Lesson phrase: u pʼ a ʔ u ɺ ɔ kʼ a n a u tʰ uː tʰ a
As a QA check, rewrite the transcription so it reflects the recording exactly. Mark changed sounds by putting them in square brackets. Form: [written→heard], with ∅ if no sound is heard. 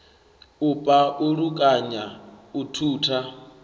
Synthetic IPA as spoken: u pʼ a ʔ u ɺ [ɔ→u] kʼ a [n→ɲ] a u tʰ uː tʰ a